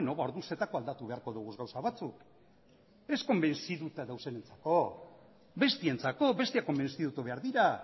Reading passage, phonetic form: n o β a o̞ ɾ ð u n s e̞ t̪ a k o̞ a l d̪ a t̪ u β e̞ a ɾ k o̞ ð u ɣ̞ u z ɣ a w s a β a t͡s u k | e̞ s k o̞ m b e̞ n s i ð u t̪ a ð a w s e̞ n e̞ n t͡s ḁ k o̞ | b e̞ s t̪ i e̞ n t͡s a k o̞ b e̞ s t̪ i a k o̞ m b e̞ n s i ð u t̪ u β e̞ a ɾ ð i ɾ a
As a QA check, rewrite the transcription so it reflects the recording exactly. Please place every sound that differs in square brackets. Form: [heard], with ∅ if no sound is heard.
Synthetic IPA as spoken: n o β a o̞ ɾ ð u n s e̞ t̪ a k o̞ a l d̪ a t̪ u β e̞ a ɾ k o̞ ð u ɣ̞ u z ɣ a w s a β a t͡s u k | e̞ s k o̞ m b e̞ n s i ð u t̪ a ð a w s e̞ n e̞ n t͡s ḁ k o̞ | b e̞ s t̪ i e̞ n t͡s a k o̞ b e̞ s t̪ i a k o̞ m b e̞ n s i ð u t̪ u β e̞ a ɾ ð i ɾ a